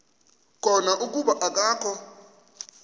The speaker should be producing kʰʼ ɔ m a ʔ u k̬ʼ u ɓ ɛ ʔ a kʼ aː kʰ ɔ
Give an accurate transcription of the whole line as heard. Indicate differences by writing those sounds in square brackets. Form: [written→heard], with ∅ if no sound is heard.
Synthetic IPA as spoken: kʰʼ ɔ [m→n] a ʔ u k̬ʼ u ɓ [ɛ→a] ʔ a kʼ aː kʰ ɔ